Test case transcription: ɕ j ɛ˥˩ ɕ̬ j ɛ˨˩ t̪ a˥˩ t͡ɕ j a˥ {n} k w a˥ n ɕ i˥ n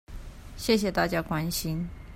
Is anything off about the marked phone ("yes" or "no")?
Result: yes